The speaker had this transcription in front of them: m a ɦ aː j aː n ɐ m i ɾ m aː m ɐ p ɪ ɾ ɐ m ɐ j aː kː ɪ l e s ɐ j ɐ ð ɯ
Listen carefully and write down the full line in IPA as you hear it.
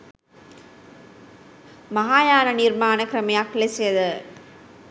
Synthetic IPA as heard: m ɐ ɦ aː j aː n ɐ n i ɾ m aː n ɐ k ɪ ɾ ɐ m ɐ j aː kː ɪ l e s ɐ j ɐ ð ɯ